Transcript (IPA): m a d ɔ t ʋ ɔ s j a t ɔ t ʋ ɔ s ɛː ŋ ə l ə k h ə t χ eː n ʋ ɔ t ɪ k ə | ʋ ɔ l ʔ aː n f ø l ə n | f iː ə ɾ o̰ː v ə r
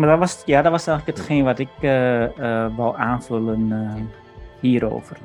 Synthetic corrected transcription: m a d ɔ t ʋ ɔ s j a d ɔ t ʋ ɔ s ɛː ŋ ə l ə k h ə t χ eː n ʋ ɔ t ɪ k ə | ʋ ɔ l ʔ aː n f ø l ə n | h iː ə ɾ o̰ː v ə r